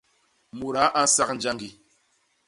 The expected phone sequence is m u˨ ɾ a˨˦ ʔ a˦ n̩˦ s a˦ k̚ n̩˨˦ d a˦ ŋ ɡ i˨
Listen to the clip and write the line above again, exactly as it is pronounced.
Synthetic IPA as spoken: m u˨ ɾ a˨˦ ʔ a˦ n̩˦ s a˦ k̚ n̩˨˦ d͡ʒ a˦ ŋ ɡ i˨